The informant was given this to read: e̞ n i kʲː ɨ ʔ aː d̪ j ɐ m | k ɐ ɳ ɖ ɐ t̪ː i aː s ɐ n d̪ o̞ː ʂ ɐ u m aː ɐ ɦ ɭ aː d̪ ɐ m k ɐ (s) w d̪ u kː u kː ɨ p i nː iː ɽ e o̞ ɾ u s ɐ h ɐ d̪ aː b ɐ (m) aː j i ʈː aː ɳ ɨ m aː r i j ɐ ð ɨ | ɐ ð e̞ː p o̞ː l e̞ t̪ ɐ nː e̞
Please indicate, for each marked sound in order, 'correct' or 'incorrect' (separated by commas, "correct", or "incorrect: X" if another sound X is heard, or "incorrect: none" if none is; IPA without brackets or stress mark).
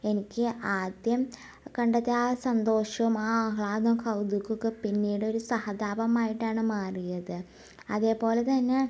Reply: incorrect: none, correct